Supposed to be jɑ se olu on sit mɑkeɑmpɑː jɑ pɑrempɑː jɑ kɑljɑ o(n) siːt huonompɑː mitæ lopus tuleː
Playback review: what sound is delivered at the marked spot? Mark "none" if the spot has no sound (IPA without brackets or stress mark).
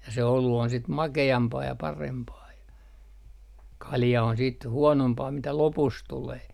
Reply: n